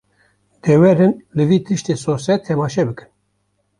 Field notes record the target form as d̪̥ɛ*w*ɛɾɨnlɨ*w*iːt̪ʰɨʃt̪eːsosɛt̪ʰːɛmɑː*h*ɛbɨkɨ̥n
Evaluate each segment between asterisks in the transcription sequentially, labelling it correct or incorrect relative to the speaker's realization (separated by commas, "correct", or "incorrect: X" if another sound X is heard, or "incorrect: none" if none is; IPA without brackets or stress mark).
correct, incorrect: v, incorrect: ʃ